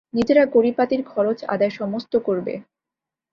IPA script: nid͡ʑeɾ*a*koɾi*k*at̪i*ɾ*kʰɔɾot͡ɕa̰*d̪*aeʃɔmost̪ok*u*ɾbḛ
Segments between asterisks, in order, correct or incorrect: correct, incorrect: p, correct, correct, incorrect: o

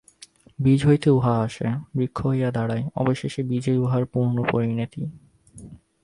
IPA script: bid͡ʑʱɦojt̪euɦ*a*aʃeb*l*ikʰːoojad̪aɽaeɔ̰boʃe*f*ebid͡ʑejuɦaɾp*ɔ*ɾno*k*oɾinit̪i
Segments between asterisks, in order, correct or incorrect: correct, incorrect: ɾ, incorrect: ʃ, incorrect: u, incorrect: p

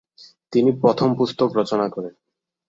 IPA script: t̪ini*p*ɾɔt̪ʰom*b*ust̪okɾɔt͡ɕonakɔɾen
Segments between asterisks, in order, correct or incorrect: correct, incorrect: p

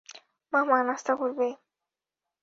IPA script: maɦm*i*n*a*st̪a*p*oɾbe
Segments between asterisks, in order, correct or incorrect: incorrect: a, correct, incorrect: k

